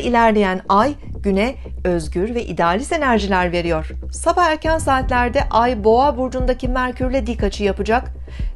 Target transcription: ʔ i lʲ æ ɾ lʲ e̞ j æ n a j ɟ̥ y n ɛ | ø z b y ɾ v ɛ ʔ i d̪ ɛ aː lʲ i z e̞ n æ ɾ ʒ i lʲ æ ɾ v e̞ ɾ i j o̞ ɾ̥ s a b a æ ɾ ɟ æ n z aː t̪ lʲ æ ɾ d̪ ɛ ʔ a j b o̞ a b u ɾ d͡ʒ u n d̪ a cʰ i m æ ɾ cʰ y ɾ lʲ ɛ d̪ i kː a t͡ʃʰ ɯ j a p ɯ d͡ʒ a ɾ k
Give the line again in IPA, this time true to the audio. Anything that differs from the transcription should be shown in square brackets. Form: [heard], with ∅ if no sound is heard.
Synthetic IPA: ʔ i lʲ æ ɾ lʲ e̞ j æ n a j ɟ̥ y n ɛ | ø z [ɟ] y ɾ v ɛ ʔ i d̪ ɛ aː lʲ i [s] e̞ n æ ɾ ʒ i lʲ æ ɾ v e̞ ɾ i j o̞ ɾ̥ s a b a æ ɾ [c] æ n [s] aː t̪ lʲ æ ɾ d̪ ɛ ʔ a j b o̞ a b u ɾ d͡ʒ u n d̪ a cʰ i m æ ɾ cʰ y ɾ lʲ ɛ d̪ i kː a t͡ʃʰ ɯ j a p ɯ d͡ʒ a [∅] k